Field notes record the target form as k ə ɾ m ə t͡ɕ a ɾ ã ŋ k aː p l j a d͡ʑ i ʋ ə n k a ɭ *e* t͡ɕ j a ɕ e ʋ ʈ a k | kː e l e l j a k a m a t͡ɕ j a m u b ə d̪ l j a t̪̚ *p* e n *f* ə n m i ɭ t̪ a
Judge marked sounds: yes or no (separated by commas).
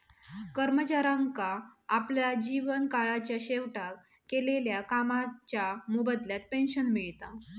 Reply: no, yes, no